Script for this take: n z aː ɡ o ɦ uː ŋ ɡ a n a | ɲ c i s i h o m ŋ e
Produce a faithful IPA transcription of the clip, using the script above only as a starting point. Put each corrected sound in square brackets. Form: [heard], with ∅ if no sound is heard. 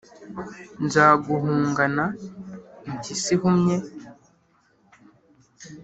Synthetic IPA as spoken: n z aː ɡ [u] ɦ uː ŋ ɡ a n a | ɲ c i s i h [u] m [ɲ] e